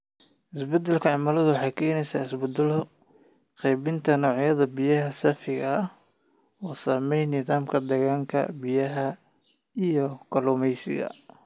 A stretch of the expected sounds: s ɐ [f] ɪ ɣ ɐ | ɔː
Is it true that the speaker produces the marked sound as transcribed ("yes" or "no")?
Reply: yes